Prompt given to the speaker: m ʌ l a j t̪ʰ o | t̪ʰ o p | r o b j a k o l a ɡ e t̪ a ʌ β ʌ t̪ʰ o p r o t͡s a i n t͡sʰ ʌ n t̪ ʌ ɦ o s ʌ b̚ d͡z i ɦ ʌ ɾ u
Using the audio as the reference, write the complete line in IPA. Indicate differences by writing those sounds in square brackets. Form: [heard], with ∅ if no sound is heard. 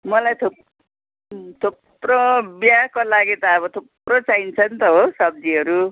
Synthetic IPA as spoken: m ʌ l a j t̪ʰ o | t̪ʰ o p | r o b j a k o l a ɡ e t̪ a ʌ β ʌ t̪ʰ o p r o t͡s a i n t͡sʰ ʌ n t̪ ʌ ɦ o s ʌ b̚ d͡z i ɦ ʌ ɾ u